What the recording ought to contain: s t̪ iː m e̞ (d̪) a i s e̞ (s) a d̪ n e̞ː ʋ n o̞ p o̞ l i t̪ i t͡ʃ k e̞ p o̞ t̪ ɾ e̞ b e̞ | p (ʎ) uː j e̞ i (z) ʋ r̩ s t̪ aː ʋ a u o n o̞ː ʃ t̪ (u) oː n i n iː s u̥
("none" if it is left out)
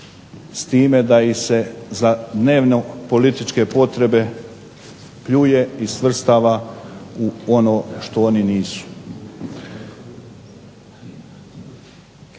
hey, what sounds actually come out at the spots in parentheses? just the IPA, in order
d̪, z, ʎ, s, o

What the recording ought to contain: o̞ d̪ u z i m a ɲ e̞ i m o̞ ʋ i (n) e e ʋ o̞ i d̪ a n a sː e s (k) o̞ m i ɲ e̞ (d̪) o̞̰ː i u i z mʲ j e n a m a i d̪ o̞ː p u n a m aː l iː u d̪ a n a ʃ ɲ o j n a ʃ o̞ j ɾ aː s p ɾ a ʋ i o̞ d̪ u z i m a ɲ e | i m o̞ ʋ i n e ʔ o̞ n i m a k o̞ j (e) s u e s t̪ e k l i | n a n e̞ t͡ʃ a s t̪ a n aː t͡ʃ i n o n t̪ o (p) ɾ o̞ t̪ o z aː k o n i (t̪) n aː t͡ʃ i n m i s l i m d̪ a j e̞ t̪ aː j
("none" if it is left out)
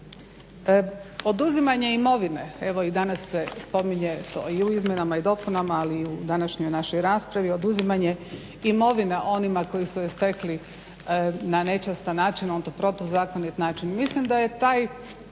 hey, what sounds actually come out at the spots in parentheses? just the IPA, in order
n, p, t̪, i, p, t̪

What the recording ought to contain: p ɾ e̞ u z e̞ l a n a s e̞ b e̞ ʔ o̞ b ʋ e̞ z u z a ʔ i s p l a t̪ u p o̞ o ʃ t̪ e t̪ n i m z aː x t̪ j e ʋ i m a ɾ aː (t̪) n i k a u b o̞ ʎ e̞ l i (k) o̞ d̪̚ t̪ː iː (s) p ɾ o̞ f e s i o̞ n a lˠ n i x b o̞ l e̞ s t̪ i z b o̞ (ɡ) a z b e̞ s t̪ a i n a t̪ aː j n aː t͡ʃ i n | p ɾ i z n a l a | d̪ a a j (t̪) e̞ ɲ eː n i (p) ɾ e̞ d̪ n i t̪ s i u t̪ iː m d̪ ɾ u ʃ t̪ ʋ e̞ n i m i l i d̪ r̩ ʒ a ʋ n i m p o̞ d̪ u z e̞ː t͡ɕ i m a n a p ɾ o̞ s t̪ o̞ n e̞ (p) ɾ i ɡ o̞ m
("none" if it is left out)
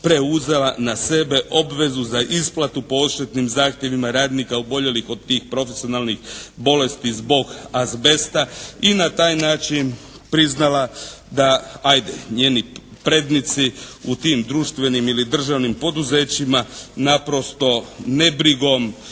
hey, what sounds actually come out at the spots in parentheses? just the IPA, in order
d̪, x, x, ɡ, d̪, p, b

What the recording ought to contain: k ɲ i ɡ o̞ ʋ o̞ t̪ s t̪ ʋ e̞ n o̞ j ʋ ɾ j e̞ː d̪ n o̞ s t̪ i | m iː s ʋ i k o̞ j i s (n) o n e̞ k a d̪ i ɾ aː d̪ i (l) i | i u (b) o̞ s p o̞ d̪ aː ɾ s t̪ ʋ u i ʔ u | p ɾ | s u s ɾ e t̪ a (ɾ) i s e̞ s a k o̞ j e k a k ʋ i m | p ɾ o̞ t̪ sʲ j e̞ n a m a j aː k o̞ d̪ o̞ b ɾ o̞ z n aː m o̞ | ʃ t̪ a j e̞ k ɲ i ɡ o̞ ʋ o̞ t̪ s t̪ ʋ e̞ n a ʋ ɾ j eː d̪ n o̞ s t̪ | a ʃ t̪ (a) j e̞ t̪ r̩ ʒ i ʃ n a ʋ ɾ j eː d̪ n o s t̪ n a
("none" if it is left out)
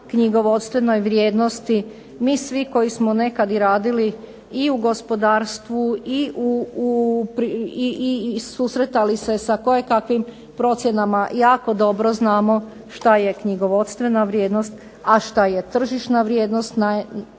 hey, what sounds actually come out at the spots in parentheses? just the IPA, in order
m, l, ɡ, l, a

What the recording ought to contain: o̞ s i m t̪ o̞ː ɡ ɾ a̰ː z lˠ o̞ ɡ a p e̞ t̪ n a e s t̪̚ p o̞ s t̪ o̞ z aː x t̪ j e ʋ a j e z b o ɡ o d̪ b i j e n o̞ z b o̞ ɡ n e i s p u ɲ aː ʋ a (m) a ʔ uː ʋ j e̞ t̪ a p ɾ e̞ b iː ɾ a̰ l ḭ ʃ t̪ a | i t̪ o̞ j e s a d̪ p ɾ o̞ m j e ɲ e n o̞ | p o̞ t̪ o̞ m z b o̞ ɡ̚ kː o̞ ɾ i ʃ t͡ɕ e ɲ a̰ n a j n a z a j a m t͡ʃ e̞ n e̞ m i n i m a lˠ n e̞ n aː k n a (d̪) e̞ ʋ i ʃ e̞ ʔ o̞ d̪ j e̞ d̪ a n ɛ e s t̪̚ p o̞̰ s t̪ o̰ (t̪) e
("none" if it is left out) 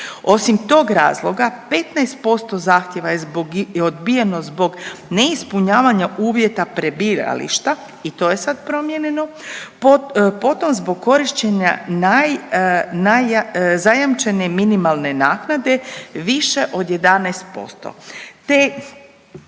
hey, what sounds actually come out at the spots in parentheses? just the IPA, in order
ɲ, d̪, t̪

